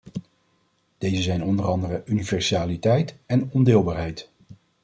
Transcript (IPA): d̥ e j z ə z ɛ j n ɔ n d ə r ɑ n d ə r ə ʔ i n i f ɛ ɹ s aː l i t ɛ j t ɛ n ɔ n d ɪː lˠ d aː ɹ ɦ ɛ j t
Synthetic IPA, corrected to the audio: d̥ e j z ə z ɛ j n ɔ n d ə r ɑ n d ə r ə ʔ y n i v ɛ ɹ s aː l i t ɛ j t ɛ n ɔ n d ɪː lˠ b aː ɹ ɦ ɛ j t